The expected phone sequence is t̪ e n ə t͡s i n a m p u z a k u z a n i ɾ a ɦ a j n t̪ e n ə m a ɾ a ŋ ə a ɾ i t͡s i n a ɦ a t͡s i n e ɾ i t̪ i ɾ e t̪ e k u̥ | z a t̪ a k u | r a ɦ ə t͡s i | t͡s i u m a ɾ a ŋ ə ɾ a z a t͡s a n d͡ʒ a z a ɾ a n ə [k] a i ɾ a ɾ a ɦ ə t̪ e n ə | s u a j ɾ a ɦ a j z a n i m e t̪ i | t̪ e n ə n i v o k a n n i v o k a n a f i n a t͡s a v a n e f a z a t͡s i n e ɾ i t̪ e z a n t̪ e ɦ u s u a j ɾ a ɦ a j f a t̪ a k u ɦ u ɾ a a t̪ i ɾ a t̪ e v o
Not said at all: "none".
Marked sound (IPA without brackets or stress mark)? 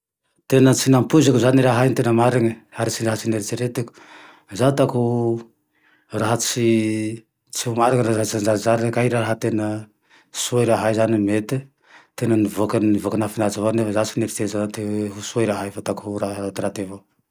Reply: k